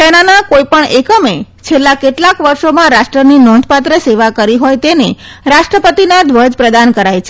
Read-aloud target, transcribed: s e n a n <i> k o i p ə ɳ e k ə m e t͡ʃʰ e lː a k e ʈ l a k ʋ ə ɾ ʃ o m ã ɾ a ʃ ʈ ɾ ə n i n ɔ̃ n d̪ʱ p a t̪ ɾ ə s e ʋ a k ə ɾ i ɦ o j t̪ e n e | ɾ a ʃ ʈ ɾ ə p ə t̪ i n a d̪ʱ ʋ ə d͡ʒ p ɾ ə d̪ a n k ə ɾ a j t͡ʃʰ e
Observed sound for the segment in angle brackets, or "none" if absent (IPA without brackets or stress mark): a